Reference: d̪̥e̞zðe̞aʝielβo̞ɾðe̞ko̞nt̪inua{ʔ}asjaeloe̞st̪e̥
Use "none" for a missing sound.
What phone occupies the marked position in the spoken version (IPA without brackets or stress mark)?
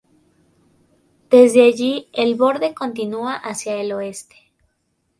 ʔ